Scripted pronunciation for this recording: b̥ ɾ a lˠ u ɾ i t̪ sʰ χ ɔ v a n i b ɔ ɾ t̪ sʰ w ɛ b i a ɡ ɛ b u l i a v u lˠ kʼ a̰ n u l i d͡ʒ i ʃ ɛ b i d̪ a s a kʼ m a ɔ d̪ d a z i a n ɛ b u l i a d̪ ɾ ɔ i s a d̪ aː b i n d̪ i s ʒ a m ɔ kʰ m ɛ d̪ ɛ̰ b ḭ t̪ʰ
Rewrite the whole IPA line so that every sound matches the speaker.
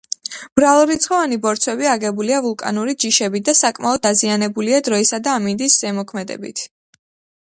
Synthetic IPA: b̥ ɾ a lˠ u ɾ i t̪ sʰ χ ɔ v a n i b ɔ ɾ t̪ sʰ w ɛ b i a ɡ ɛ b u l i a v u lˠ kʼ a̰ n u ɾ i d͡ʒ i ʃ ɛ b i d̪ a s a kʼ m a ɔ d̪ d a z i a n ɛ b u l i a d̪ ɾ ɔ i s a d̪ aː m i n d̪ i s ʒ ɛ m ɔ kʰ m ɛ d̪ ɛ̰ b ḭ t̪ʰ